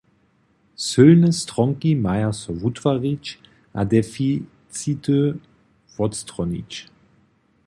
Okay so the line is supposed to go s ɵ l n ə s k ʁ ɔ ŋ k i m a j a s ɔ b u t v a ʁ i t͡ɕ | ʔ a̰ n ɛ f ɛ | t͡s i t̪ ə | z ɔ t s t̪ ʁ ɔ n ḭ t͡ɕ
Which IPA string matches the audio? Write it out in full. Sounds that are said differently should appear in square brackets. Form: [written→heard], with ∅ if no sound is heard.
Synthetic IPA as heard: s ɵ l n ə s [k→t] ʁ ɔ ŋ k i m a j a s ɔ [b→v] u t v a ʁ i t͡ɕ | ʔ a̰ [n→d] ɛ f [ɛ→i] | t͡s i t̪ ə | [z→v] ɔ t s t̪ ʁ ɔ n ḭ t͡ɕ